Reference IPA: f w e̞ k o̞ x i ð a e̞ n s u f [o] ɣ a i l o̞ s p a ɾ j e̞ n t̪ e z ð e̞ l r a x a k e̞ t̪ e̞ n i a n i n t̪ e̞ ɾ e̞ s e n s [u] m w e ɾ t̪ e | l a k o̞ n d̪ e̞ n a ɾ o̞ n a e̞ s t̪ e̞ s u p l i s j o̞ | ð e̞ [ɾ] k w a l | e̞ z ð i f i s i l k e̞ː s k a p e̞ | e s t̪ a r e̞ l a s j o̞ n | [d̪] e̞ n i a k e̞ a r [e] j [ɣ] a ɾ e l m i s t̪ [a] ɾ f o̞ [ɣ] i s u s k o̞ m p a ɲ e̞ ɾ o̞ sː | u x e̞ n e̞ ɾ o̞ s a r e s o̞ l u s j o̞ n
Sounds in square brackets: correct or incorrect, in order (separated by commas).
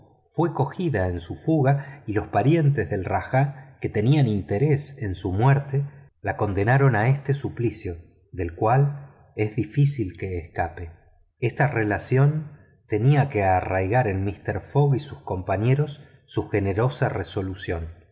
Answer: incorrect, correct, incorrect, incorrect, incorrect, correct, incorrect, correct